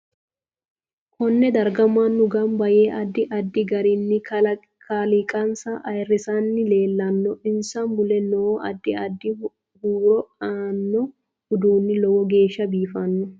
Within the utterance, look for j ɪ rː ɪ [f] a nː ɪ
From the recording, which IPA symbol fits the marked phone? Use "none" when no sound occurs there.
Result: s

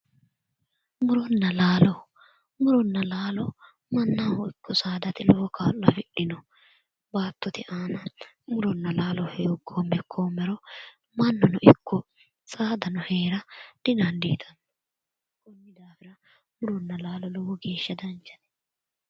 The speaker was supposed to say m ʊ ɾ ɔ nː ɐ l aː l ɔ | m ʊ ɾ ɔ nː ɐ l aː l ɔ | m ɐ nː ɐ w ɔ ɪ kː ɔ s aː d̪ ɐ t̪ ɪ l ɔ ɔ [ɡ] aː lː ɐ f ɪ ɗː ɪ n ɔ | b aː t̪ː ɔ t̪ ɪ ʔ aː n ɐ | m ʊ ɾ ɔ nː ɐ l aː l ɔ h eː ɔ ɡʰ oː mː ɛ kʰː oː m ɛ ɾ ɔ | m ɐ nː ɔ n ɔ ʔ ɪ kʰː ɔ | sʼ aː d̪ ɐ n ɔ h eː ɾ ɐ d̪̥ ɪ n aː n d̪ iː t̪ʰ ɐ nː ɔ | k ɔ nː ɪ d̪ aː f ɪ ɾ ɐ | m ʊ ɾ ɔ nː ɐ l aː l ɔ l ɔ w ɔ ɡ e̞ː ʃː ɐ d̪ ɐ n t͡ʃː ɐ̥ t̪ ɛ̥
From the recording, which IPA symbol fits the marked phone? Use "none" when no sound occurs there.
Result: k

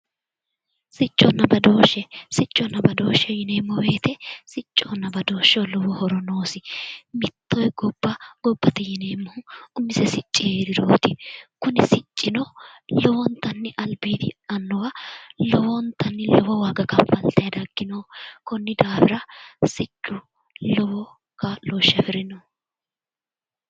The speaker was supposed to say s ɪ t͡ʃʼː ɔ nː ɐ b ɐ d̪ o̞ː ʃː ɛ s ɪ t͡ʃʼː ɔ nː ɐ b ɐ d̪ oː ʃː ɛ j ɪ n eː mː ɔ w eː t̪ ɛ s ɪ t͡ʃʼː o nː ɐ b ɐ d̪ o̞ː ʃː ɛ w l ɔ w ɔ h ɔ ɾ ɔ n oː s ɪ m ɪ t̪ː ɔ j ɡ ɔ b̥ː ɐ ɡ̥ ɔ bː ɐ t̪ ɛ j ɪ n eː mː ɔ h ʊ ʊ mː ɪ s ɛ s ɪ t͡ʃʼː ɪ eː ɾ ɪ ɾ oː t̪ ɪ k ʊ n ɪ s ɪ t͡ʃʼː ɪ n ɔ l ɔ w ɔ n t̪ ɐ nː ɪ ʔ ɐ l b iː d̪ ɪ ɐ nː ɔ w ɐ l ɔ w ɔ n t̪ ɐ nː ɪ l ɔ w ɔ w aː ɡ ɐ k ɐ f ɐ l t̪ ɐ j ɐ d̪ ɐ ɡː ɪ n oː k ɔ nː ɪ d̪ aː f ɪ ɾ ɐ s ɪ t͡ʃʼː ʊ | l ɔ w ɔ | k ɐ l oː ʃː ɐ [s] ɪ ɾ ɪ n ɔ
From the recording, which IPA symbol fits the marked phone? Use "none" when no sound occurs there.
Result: f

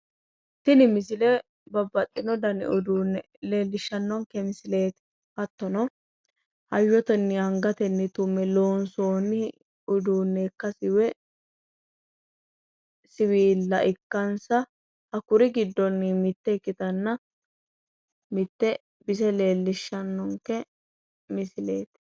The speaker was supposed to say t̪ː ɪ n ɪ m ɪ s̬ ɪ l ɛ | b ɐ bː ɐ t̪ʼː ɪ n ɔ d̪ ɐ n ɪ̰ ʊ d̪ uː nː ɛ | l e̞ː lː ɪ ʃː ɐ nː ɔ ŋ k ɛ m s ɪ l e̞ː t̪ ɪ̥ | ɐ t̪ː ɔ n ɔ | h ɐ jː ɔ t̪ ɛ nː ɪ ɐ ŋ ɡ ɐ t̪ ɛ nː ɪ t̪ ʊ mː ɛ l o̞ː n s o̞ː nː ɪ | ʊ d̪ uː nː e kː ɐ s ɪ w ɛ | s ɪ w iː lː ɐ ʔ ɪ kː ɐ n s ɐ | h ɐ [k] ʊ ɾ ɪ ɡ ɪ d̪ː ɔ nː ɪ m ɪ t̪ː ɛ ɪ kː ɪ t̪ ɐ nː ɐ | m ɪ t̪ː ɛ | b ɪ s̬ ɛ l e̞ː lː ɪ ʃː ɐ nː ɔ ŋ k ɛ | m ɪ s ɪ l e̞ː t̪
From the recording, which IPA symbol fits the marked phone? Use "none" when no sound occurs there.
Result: k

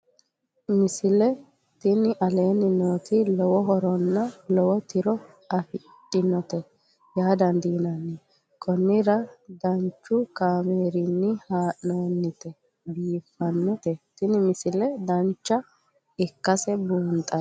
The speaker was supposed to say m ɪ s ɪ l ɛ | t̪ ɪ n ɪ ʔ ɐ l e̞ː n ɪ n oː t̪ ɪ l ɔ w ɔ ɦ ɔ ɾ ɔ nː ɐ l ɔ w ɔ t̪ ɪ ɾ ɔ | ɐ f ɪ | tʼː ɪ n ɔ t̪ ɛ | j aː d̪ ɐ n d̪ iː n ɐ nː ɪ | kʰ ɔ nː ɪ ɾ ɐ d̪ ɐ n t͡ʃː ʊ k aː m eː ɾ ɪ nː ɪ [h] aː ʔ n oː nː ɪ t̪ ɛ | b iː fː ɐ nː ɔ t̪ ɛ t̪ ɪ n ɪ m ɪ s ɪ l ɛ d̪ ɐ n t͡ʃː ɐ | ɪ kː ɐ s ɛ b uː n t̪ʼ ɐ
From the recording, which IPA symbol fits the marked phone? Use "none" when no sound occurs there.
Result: h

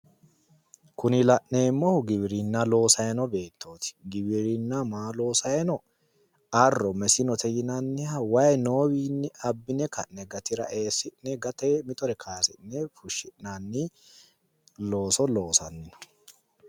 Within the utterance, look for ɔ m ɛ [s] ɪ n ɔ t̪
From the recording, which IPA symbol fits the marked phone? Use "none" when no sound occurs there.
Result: s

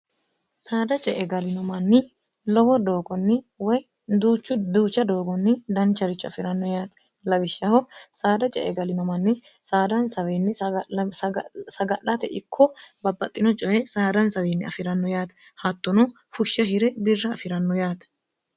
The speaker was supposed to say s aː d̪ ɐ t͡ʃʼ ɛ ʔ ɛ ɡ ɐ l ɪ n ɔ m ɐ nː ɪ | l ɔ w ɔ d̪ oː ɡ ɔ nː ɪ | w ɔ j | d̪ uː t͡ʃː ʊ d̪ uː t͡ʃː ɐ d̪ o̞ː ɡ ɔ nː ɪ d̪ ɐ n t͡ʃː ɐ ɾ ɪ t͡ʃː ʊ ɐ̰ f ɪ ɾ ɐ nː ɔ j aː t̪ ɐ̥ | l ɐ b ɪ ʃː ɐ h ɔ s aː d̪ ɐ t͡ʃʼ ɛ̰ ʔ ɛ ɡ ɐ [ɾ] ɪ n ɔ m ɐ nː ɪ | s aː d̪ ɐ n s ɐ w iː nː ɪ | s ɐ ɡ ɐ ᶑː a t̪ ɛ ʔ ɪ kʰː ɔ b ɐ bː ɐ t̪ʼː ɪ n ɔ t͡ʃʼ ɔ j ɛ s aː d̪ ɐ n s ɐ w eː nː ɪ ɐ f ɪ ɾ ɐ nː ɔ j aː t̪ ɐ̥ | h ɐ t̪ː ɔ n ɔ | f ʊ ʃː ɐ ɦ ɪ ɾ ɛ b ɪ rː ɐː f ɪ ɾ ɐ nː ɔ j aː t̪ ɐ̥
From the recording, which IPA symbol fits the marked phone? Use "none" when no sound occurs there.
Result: l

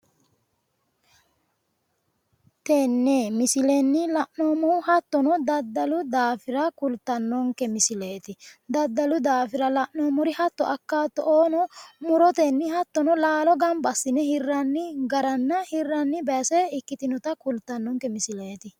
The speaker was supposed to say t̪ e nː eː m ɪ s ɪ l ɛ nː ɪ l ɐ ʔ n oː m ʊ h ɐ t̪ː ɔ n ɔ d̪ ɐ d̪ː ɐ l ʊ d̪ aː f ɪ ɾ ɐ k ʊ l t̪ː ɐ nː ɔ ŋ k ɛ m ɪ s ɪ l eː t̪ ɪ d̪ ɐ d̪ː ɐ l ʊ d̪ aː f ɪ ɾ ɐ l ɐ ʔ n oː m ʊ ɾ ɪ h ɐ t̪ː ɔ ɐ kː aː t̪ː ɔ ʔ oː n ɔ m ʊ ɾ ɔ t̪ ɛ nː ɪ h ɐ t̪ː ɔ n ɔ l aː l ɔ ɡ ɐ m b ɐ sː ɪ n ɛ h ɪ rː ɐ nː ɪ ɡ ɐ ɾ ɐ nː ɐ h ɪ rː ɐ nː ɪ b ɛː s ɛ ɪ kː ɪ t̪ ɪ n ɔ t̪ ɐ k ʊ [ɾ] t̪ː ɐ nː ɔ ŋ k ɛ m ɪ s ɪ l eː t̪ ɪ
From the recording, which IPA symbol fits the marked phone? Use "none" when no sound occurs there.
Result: l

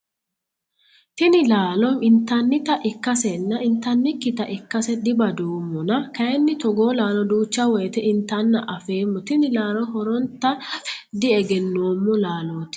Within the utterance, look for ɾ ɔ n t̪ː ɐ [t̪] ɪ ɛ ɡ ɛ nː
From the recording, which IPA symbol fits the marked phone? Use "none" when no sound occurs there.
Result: d̪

